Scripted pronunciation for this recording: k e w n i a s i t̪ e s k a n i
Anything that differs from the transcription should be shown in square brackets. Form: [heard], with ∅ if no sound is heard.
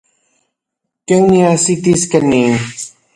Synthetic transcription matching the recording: k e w n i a s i t̪ [i] s k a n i